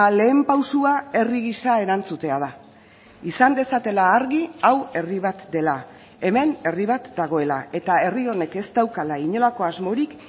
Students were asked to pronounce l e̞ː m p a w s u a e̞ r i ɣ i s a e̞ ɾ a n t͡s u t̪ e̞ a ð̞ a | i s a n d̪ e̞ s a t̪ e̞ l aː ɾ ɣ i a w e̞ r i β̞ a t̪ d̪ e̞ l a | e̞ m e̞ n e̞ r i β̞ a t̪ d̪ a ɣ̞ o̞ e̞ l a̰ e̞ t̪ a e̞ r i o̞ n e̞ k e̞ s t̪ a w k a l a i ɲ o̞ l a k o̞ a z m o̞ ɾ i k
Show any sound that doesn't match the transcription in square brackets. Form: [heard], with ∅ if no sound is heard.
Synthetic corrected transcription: l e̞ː m p a w s u a e̞ r i ɣ i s a e̞ ɾ a n t͡s u t̪ e̞ a ð̞ a | i s a n d̪ e̞ s a t̪ e̞ l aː ɾ ɣ i a w e̞ r i β̞ a t̪ d̪ e̞ l a | e̞ m e̞ n e̞ r i β̞ a t̪ d̪ a ɣ̞ o̞ e̞ l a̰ e̞ t̪ a e̞ r i o̞ n e̞ k e̞ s t̪ a w k a l a i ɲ o̞ l a k o̞ a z m o̞ ɾ i k